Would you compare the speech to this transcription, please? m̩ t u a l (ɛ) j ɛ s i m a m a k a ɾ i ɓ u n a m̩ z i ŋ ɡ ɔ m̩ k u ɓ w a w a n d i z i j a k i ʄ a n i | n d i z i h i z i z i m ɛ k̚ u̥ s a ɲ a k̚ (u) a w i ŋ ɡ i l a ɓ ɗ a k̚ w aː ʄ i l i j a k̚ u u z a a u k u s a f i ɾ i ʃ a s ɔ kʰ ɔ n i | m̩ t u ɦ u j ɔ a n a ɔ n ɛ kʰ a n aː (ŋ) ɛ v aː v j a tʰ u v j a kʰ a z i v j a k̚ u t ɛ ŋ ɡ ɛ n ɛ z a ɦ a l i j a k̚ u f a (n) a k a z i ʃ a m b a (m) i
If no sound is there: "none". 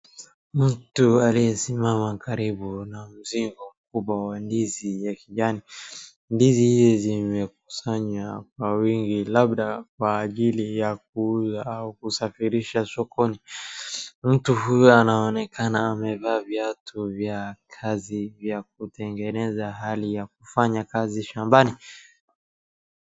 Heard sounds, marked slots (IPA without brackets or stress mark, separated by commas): i, w, m, ɲ, n